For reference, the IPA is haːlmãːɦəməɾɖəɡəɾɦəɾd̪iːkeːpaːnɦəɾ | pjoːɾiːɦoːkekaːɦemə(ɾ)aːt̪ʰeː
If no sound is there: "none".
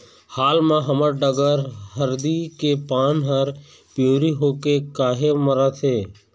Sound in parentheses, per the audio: ɾ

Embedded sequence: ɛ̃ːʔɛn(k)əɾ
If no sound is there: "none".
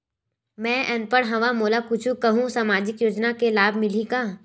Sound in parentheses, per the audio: p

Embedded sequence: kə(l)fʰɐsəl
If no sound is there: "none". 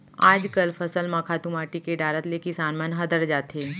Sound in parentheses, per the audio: l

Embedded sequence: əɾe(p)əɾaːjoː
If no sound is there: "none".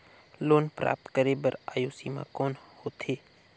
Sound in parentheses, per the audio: b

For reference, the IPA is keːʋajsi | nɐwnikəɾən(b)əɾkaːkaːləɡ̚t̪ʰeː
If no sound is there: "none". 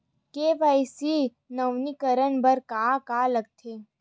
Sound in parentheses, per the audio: b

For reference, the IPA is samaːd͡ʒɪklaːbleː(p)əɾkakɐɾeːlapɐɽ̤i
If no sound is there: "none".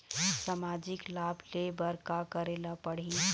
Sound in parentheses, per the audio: b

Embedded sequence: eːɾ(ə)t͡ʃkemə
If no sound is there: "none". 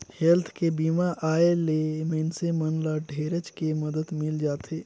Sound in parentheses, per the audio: ə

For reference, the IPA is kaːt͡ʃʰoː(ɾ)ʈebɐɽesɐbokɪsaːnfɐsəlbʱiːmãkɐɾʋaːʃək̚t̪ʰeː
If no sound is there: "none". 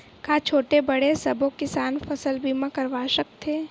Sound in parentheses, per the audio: none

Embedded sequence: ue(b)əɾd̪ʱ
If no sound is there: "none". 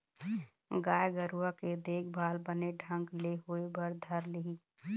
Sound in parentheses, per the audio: b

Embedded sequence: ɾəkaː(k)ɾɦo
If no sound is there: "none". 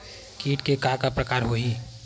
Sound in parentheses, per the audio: none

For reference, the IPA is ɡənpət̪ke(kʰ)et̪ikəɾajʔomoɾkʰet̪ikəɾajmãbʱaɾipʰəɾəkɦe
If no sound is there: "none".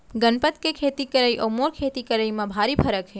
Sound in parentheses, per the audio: kʰ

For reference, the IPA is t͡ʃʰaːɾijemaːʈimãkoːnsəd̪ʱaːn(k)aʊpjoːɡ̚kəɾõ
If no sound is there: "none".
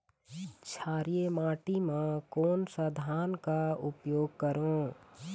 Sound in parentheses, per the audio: k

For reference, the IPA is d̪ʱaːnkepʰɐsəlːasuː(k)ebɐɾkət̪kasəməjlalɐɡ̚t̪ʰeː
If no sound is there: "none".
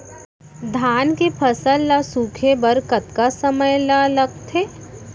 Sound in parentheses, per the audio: kʰ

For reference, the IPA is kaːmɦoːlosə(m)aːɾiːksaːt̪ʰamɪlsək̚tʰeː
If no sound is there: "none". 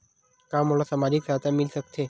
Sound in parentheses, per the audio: m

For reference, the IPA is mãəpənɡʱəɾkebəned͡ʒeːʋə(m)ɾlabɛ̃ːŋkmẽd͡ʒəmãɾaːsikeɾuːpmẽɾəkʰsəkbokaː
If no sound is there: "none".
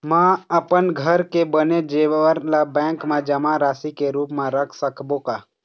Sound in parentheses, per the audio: none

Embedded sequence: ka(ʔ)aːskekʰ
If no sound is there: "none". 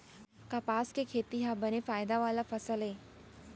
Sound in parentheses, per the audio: p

